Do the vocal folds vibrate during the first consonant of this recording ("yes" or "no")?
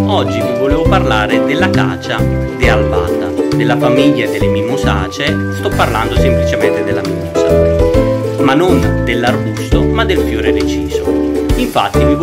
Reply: yes